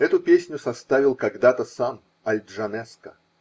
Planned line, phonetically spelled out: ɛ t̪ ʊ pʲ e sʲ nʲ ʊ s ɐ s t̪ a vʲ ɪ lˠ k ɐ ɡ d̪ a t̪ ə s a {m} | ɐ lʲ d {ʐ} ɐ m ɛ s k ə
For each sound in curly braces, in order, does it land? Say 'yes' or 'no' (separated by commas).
yes, yes